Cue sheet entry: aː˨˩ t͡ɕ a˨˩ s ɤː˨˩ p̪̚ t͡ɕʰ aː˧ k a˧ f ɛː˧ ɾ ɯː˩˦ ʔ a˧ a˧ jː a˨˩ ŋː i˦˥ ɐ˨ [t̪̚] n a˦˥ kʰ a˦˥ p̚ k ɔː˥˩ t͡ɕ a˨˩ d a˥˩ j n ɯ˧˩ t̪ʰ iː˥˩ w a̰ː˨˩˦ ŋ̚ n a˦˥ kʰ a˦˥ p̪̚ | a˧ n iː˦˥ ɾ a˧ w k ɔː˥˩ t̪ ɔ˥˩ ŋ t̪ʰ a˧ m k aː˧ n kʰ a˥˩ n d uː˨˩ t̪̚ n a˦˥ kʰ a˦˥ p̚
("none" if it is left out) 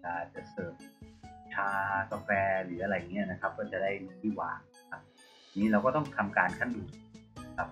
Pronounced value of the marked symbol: none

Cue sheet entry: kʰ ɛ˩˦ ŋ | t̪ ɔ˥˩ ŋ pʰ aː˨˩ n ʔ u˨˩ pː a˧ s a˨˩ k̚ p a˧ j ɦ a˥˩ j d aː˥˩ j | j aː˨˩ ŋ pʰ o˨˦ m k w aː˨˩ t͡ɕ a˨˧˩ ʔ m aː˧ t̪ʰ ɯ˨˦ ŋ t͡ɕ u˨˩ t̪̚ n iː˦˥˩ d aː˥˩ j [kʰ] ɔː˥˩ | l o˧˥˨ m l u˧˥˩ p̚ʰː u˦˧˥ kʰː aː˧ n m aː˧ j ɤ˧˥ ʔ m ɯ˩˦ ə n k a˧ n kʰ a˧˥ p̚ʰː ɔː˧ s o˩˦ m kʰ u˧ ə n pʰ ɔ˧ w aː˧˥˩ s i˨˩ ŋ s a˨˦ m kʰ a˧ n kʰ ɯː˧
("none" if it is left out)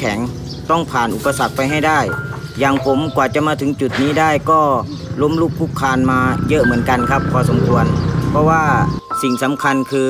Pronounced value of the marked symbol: k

